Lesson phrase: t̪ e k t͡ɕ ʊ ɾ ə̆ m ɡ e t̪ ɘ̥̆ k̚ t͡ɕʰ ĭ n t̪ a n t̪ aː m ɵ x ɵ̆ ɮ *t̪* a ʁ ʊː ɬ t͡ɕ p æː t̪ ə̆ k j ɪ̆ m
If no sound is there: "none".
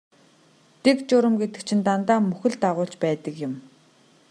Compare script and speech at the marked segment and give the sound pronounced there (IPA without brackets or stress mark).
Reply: t̪